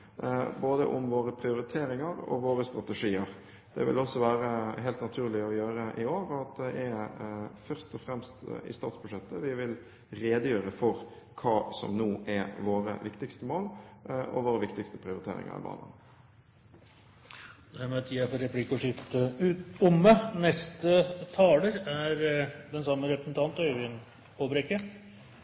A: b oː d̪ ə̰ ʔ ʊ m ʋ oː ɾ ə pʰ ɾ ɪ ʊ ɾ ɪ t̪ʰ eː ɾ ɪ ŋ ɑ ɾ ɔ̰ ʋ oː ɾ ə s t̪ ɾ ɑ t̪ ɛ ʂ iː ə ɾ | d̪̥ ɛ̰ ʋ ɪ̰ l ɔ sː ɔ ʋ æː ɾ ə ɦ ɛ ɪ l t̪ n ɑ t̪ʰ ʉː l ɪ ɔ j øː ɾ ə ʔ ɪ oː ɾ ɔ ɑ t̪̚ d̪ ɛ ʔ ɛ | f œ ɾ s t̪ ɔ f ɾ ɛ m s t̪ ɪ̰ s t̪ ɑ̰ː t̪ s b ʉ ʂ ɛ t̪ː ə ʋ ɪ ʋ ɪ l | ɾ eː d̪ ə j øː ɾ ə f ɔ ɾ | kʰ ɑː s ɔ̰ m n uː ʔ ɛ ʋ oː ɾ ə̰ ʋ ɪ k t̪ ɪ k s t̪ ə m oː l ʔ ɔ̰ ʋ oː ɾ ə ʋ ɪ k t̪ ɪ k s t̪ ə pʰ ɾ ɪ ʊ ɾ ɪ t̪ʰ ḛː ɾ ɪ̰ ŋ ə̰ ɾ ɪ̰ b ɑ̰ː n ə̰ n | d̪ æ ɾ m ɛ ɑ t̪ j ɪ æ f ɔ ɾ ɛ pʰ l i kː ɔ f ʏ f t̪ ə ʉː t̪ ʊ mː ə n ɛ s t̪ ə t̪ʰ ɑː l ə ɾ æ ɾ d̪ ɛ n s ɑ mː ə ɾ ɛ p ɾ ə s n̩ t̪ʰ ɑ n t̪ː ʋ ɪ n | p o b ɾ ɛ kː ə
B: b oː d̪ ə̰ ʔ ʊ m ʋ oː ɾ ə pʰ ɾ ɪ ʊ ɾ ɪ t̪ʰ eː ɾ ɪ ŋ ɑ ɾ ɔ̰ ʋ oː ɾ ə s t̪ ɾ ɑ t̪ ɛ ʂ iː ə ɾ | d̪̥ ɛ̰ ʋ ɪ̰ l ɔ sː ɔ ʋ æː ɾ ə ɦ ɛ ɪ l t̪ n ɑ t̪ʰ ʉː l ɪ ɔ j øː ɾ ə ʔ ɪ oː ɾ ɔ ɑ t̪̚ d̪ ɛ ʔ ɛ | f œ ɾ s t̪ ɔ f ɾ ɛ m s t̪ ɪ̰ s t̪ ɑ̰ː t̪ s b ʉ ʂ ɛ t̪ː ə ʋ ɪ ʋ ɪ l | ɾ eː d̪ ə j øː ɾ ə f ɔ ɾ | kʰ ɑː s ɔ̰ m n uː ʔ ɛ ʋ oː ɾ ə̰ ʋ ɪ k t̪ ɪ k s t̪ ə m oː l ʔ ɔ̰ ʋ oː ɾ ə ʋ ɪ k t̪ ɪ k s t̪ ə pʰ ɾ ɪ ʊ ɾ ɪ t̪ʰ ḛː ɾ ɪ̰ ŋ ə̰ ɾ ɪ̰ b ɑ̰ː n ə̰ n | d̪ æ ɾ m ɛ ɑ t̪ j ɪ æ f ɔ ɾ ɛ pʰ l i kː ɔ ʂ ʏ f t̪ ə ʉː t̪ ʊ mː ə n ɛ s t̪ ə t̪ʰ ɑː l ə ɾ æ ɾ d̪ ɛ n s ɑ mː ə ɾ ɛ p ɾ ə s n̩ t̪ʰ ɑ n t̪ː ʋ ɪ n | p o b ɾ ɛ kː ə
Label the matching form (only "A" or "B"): B